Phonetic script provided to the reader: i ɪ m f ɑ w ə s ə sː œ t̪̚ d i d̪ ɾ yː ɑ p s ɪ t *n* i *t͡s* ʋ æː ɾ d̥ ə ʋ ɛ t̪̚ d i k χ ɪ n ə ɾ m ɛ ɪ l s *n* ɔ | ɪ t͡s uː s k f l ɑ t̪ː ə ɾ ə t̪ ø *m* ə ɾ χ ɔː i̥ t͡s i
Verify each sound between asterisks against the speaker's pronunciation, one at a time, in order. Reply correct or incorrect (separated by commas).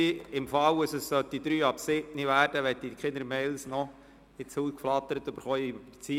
correct, incorrect, correct, incorrect